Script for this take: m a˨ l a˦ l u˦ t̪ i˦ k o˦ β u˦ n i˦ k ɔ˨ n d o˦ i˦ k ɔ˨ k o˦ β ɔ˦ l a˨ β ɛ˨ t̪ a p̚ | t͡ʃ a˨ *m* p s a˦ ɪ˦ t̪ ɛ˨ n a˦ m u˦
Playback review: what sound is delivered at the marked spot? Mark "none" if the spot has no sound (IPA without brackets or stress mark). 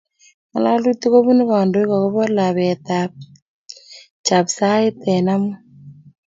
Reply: none